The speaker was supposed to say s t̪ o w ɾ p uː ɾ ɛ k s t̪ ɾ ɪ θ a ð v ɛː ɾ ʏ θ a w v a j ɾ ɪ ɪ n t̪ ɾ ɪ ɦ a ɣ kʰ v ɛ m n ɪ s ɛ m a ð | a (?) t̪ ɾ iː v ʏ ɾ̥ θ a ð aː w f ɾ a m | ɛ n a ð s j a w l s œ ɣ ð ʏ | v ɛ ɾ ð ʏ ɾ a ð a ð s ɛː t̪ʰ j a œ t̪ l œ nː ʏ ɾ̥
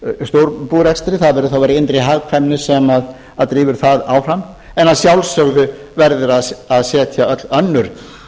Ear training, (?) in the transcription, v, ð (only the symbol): ð